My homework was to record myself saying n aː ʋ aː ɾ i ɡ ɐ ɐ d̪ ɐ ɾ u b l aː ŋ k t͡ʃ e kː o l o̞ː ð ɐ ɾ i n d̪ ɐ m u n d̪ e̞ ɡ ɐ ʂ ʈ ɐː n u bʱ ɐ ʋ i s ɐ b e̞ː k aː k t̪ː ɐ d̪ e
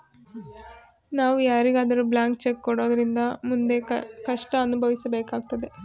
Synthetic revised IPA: n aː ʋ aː ɾ i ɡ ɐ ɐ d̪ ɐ ɾ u b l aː ŋ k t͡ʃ e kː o ɽ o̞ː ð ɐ ɾ i n d̪ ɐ m u n d̪ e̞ k ɐ ʂ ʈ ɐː n u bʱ ɐ ʋ i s ɐ b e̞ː k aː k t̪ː ɐ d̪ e